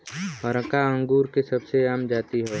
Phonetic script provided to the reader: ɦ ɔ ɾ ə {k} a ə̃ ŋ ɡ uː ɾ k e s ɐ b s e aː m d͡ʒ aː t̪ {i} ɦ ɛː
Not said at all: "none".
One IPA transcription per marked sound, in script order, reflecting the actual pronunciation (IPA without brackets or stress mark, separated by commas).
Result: k, i